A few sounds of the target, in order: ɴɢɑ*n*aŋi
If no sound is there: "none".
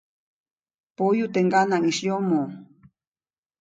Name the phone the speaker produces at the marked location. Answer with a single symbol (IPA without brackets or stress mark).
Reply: n